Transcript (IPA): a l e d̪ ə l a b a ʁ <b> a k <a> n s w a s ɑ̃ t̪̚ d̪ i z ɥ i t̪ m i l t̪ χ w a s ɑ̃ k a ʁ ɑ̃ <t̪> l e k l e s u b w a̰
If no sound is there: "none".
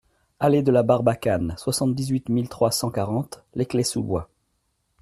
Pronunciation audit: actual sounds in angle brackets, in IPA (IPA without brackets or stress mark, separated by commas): b, a, t̪